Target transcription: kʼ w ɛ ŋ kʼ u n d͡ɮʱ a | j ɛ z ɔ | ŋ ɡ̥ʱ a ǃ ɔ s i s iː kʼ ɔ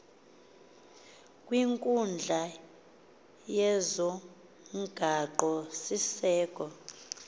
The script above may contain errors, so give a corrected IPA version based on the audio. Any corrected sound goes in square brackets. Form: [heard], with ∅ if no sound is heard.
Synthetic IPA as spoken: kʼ w [i] ŋ kʼ u n d͡ɮʱ a | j ɛ z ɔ | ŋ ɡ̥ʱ a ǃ ɔ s i s [ɛː] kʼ ɔ